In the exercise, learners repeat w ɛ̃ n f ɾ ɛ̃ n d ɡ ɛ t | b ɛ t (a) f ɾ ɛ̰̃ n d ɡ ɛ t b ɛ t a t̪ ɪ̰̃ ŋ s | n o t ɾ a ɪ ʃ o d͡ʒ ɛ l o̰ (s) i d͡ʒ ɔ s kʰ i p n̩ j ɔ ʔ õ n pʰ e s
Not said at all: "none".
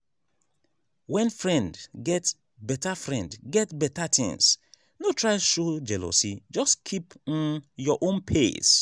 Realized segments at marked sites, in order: a, s

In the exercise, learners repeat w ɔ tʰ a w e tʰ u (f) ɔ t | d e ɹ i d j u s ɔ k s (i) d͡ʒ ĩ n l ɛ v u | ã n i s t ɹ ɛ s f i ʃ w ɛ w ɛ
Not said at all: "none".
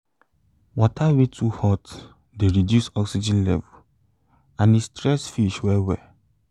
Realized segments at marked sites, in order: h, i

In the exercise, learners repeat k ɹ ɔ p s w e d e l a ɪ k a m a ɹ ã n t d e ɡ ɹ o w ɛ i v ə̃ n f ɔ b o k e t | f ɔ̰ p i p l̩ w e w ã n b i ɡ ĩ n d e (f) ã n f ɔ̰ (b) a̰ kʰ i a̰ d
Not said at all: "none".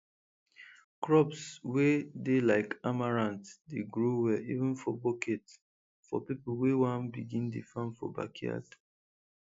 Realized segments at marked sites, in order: f, b

